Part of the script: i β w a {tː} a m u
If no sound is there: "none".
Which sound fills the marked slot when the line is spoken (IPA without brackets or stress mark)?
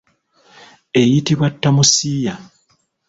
tː